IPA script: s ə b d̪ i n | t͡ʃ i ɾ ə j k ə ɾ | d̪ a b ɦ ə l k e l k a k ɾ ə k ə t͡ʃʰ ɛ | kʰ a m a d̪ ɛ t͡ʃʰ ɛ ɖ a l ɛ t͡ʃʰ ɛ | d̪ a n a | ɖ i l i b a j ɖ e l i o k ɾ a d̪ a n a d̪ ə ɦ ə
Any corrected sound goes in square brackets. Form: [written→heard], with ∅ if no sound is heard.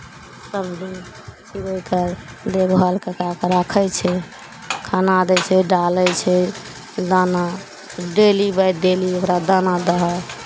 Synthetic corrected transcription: s ə b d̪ i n | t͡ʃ i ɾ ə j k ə ɾ | d̪ [a→e] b ɦ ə l k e [l→∅] k a k ɾ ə [k→kʰ] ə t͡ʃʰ ɛ | kʰ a [m→n] a d̪ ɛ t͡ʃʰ ɛ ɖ a l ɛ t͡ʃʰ ɛ | d̪ a n a | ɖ [i→e] l i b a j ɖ e l i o k ɾ a d̪ a n a d̪ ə ɦ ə